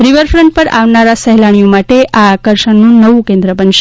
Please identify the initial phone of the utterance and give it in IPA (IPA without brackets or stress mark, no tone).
ɾ